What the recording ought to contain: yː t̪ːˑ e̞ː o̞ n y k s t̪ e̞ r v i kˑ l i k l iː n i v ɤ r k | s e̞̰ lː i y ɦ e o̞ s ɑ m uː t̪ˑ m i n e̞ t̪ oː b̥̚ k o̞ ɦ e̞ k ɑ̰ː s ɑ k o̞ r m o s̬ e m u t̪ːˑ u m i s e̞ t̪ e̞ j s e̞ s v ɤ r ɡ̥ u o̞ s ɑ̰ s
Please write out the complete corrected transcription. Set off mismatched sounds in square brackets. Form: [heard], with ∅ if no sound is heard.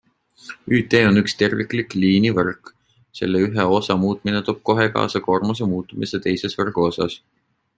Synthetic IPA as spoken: yː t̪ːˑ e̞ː o̞ n y k s t̪ e̞ r v i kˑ l i k l iː n i v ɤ r k | s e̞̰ lː [e] y ɦ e o̞ s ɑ m uː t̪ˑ m i n e̞ t̪ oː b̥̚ k o̞ ɦ e̞ k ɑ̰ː s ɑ k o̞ r m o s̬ e m [uː] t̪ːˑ u m i s e̞ t̪ e̞ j s e̞ s v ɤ r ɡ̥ u o̞ s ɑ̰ s